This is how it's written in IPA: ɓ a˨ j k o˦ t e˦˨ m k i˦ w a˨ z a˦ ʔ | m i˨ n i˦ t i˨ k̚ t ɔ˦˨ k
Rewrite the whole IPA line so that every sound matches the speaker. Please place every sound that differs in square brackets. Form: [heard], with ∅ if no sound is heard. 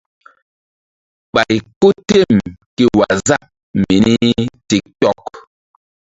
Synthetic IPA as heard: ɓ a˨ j k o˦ t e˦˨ m k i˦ w a˨ z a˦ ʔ | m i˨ n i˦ t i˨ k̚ t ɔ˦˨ k